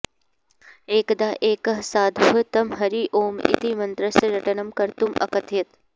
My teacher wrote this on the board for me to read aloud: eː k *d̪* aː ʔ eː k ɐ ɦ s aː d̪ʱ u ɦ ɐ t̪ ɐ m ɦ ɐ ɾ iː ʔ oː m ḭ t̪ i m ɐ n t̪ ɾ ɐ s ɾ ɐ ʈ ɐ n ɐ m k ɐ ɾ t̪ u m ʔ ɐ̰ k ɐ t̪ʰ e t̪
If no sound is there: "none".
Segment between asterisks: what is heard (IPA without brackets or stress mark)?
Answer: d̪